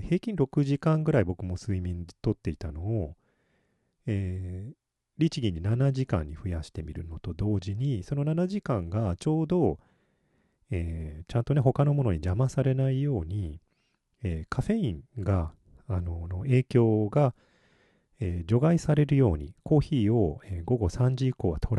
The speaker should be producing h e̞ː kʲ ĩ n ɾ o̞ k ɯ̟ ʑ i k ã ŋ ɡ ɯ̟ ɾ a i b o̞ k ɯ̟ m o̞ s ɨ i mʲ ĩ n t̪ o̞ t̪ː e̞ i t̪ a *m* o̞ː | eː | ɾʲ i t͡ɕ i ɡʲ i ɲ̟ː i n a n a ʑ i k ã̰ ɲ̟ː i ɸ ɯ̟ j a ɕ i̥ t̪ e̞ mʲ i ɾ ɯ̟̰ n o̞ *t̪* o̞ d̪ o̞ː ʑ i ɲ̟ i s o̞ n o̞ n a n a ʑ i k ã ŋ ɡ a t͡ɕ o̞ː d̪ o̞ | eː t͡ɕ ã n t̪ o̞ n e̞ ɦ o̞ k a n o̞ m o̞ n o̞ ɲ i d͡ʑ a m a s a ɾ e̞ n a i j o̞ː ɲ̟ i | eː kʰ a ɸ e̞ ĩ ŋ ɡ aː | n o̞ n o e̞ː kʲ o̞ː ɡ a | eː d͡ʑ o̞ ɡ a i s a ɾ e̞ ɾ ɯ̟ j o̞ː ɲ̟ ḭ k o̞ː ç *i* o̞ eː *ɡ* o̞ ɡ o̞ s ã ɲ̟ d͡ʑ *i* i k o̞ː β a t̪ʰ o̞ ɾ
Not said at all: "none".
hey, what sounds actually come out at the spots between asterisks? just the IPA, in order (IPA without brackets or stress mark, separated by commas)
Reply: n, t̪, iː, ɡ, i